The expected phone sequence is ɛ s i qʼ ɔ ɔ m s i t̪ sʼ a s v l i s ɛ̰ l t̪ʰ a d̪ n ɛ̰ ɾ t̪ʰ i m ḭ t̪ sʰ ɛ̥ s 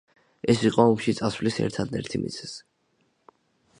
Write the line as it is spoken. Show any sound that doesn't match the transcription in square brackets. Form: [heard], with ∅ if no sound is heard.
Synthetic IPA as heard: ɛ s i qʼ ɔ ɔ m [ʃ] i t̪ sʼ a s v l i s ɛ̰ [ɾ] t̪ʰ a d̪ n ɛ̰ ɾ t̪ʰ i m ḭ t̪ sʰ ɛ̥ s

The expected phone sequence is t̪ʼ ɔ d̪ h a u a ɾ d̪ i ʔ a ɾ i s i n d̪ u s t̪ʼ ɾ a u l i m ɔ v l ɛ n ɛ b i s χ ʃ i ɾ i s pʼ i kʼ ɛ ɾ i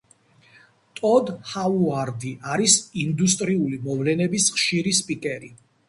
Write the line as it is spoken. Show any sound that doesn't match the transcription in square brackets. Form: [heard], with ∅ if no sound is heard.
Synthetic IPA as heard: t̪ʼ ɔ d̪ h a u a ɾ d̪ i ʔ a ɾ i s i n d̪ u s t̪ʼ ɾ [i] u l i m ɔ v l ɛ n ɛ b i s χ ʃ i ɾ i s pʼ i kʼ ɛ ɾ i

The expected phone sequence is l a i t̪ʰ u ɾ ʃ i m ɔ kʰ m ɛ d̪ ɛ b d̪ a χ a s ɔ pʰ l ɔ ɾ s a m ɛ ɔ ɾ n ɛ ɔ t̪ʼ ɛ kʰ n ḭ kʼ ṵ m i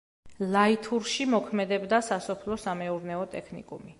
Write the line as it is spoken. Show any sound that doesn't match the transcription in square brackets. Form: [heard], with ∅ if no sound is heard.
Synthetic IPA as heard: l a i t̪ʰ u ɾ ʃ i m ɔ kʰ m ɛ d̪ ɛ b d̪ a [s] a s ɔ pʰ l ɔ [∅] s a m ɛ [u] ɾ n ɛ ɔ t̪ʼ ɛ kʰ n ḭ kʼ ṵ m i

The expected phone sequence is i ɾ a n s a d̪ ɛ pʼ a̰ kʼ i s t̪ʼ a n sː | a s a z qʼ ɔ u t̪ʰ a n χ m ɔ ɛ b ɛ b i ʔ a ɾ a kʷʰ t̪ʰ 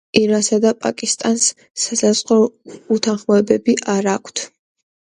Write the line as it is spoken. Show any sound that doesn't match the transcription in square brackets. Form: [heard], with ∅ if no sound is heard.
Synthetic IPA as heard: i ɾ a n s a d̪ [a] pʼ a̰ kʼ i s t̪ʼ a n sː | a s a z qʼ ɔ u t̪ʰ a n χ m ɔ ɛ b ɛ b i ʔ a ɾ a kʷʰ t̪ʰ

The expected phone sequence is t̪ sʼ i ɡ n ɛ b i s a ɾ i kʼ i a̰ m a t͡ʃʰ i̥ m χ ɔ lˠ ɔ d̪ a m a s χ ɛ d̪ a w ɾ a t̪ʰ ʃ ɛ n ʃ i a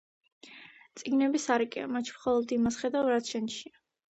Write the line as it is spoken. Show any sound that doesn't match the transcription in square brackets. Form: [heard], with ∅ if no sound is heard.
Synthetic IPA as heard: t̪ sʼ i ɡ n ɛ b i s a ɾ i kʼ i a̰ m a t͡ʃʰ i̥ m χ ɔ lˠ ɔ d̪ [i] m a s χ ɛ d̪ a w ɾ a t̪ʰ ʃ ɛ n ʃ i a

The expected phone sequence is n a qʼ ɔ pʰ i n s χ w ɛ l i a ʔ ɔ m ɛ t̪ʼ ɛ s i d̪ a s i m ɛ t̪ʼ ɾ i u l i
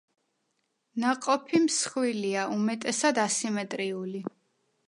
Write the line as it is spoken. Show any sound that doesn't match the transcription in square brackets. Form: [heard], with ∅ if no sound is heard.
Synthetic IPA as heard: n a qʼ ɔ pʰ i [m] s χ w [i] l i a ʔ [u] m ɛ t̪ʼ ɛ s [a] d̪ a s i m ɛ t̪ʼ ɾ i u l i

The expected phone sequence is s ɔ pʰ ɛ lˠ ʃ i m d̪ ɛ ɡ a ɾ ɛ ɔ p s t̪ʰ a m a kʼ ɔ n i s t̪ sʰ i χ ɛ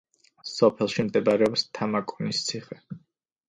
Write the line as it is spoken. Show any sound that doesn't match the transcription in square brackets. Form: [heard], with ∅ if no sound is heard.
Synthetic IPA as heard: s ɔ pʰ ɛ lˠ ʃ i m d̪ ɛ [b] a ɾ ɛ ɔ p s t̪ʰ a m a kʼ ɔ n i s t̪ sʰ i χ ɛ

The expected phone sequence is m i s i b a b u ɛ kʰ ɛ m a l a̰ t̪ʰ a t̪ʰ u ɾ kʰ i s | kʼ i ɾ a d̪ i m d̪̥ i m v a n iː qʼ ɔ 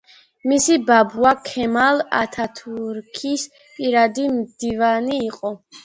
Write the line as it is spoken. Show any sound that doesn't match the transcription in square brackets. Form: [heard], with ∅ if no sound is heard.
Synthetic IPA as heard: m i s i b a b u [a] kʰ ɛ m a l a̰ t̪ʰ a t̪ʰ u ɾ kʰ i s | [pʼ] i ɾ a d̪ i m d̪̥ i [∅] v a n iː qʼ ɔ

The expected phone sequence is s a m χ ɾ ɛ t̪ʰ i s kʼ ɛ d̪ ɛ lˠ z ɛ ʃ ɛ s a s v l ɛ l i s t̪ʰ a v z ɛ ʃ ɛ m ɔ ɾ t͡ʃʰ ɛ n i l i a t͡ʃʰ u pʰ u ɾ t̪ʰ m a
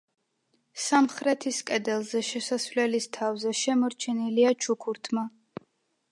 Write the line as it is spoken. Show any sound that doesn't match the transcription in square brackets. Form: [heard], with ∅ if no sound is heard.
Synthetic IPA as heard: s a m χ ɾ ɛ t̪ʰ i s kʼ ɛ d̪ ɛ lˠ z ɛ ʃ ɛ s a s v l ɛ l i s t̪ʰ a v z ɛ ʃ ɛ m ɔ ɾ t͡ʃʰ ɛ n i l i a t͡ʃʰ u [kʰ] u ɾ t̪ʰ m a

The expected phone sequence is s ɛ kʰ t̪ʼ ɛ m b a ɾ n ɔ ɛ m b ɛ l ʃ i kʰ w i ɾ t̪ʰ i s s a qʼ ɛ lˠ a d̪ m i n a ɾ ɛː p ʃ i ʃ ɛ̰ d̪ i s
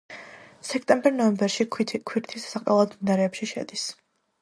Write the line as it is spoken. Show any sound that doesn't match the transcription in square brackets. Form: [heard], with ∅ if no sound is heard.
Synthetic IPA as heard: s ɛ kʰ t̪ʼ ɛ m b [ɛ] ɾ n ɔ ɛ m b ɛ [ɾ] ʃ i kʰ w i ɾ t̪ʰ i s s a qʼ ɛ lˠ a d̪ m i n a ɾ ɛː p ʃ i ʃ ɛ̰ d̪ i s

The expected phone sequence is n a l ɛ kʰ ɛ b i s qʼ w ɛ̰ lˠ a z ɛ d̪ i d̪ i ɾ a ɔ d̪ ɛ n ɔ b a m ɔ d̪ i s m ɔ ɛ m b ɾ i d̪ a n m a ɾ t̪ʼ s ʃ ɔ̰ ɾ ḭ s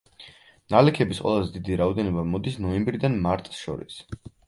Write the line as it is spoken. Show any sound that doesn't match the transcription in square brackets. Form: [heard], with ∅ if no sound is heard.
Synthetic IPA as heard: n a l ɛ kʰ ɛ b i s qʼ w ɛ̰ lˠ a z ɛ d̪ i d̪ i ɾ a ɔ d̪ ɛ n ɔ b a m ɔ d̪ i s [n] ɔ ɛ m b ɾ i d̪ a n m a ɾ t̪ʼ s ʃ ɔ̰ ɾ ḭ s

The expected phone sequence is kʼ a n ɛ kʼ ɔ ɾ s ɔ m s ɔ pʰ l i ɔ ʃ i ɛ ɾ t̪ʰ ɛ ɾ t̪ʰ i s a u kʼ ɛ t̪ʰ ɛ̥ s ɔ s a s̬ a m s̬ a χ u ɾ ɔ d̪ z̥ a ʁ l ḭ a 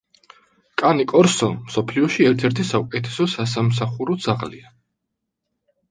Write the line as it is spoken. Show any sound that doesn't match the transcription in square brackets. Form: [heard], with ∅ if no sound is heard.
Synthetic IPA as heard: kʼ a n [i] kʼ ɔ ɾ s ɔ m s ɔ pʰ l i ɔ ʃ i ɛ ɾ t̪ʰ ɛ ɾ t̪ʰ i s a u kʼ ɛ t̪ʰ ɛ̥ s ɔ s a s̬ a m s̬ a χ u ɾ ɔ d̪ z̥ a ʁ l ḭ a

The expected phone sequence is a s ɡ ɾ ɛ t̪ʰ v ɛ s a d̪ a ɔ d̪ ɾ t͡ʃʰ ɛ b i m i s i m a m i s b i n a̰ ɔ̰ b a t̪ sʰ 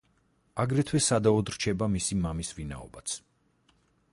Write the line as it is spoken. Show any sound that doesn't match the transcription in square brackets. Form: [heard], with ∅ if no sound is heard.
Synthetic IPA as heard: a [∅] ɡ ɾ ɛ t̪ʰ [w] ɛ s a d̪ a ɔ d̪ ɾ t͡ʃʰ ɛ b [a] m i s i m a m i s [v] i n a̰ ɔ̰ b a t̪ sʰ

